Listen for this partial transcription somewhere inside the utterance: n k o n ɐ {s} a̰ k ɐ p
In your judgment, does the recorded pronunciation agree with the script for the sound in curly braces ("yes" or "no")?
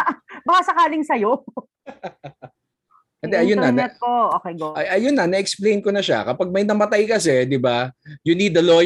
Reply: no